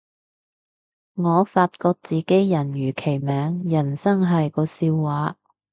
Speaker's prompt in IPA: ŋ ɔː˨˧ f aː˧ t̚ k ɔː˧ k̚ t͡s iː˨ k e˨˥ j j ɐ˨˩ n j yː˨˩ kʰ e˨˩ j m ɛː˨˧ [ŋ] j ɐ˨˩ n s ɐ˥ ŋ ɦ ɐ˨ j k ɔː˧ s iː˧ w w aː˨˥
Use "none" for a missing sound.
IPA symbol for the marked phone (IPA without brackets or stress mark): ŋ